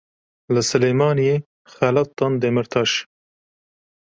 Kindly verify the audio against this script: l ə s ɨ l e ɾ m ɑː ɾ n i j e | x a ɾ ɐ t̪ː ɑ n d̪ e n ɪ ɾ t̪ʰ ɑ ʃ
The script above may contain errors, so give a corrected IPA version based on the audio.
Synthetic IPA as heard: l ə s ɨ l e m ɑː n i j e | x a l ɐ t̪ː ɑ n d̪ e m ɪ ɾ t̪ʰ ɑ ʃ

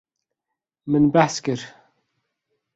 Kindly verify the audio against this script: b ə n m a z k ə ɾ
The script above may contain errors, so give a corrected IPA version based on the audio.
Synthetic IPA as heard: m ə n b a s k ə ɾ

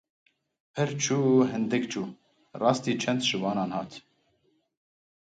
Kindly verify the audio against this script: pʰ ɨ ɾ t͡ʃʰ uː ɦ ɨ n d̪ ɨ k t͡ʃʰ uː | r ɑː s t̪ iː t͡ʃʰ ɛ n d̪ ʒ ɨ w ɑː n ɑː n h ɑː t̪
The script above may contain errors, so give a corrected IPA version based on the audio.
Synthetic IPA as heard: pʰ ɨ ɾ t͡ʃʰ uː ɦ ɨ n d̪ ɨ k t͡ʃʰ uː | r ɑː s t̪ iː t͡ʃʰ ɛ n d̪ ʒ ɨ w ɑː n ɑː n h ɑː t̪

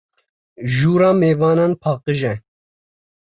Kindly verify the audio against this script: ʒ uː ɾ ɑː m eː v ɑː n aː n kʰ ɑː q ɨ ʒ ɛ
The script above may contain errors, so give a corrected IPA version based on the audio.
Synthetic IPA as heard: ʒ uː ɾ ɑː m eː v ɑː n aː n pʰ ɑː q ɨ ʒ ɛ

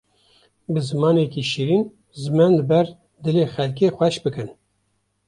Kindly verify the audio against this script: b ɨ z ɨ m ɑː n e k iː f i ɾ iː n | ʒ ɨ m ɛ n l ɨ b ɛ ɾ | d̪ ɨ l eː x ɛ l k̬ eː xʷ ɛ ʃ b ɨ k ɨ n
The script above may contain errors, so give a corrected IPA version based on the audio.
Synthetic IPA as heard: b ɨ z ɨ m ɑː n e k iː ʃ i ɾ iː n | z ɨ m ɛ n l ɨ b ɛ ɾ | d̪ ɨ l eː x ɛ l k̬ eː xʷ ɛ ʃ b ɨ k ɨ n

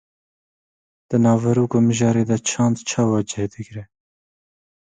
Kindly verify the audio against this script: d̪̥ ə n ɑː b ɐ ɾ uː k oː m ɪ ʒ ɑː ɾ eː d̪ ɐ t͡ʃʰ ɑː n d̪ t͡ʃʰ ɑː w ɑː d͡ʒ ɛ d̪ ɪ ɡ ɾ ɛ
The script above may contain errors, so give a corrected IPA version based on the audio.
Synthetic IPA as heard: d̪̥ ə n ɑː v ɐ ɾ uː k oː m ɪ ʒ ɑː ɾ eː d̪ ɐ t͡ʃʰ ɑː n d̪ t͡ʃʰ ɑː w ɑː d͡ʒ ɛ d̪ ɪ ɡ ɾ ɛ

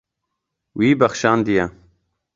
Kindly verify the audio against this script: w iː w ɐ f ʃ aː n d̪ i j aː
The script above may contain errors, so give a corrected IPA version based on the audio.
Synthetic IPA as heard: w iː b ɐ x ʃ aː n d̪ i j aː

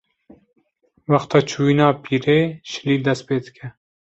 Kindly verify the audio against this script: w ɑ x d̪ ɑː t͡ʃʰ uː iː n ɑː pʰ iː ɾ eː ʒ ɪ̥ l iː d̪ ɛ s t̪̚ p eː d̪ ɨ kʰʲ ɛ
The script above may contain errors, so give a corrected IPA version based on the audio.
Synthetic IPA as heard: w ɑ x t̪ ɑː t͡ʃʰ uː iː n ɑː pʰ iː ɾ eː ʃ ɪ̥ l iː d̪ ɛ s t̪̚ p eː d̪ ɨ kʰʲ ɛ

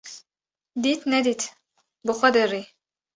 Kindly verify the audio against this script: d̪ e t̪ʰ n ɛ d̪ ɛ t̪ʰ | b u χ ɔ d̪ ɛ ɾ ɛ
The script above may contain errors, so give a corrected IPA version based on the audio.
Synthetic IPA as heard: d̪ i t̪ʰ n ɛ d̪ i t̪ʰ | b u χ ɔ d̪ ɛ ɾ i

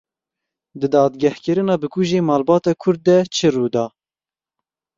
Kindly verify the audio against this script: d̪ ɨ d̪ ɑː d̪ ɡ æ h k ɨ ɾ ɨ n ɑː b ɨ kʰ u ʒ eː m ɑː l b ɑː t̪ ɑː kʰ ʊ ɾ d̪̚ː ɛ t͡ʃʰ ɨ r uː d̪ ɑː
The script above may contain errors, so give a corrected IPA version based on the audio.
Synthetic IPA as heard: d̪ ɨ d̪ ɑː d̪ ɡ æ h k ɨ ɾ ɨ n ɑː b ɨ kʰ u ʒ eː m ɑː l b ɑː t̪ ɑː kʰ ʊ ɾ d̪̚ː ɛ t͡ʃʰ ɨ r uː d̪ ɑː

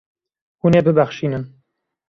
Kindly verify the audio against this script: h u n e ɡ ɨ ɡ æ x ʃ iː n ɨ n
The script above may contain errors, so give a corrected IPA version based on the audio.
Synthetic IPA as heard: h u n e b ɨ b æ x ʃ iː n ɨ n

